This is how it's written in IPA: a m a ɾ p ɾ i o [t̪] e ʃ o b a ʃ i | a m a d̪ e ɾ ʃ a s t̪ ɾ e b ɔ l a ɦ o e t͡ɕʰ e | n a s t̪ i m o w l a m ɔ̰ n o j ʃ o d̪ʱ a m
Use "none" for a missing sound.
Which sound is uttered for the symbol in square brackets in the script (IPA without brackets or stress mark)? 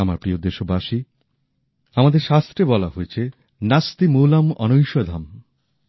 d̪